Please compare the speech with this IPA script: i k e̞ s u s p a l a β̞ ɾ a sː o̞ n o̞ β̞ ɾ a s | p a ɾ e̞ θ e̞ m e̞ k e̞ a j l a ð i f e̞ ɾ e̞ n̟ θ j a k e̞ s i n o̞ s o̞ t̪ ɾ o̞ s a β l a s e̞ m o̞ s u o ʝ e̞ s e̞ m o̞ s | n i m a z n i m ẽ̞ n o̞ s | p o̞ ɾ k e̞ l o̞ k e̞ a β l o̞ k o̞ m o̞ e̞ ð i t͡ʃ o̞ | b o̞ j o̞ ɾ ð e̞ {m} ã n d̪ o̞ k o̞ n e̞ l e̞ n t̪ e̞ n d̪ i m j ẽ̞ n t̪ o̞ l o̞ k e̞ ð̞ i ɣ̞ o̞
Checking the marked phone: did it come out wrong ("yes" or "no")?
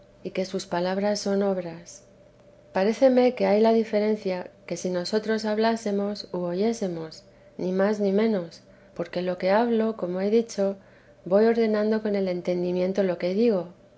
yes